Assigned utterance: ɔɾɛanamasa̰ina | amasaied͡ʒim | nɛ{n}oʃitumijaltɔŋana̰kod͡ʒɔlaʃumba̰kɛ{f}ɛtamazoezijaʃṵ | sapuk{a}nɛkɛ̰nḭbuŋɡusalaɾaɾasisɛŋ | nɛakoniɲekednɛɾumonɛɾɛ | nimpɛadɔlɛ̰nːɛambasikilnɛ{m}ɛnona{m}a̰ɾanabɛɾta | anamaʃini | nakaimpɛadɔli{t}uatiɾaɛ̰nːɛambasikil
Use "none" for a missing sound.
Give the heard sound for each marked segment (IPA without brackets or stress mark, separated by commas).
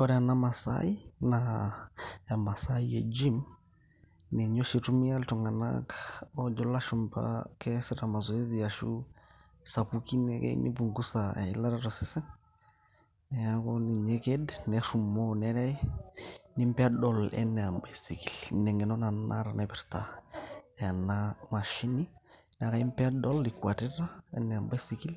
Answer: ɲ, s, i, ŋ, n, k